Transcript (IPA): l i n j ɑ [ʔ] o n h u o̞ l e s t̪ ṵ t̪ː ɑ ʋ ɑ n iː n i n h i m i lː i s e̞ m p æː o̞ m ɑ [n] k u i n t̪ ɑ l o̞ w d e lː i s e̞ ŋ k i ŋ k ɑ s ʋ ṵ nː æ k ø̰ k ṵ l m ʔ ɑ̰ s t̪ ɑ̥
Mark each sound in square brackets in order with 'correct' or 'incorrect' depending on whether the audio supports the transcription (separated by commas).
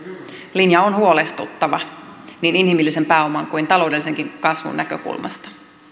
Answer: incorrect, incorrect